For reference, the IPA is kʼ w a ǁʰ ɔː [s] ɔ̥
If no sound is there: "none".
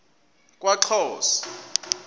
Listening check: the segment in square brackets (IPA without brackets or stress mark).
s